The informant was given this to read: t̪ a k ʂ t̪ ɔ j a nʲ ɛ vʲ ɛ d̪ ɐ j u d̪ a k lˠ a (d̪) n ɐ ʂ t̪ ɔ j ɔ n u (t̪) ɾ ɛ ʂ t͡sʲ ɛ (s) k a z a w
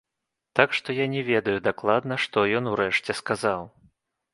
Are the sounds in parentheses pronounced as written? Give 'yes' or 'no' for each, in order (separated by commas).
yes, no, yes